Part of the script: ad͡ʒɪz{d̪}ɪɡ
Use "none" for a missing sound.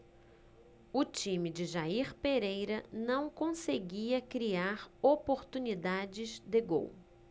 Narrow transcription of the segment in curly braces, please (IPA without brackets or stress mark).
d̪